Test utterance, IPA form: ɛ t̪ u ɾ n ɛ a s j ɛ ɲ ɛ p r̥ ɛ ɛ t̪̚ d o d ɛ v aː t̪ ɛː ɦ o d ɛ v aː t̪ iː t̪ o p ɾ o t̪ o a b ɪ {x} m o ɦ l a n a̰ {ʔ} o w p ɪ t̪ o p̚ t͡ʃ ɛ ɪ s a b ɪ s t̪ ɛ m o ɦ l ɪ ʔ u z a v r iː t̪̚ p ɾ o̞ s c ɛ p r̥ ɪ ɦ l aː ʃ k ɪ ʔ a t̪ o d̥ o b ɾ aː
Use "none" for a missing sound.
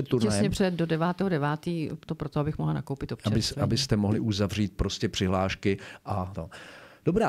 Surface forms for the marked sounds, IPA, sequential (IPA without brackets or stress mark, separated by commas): x, k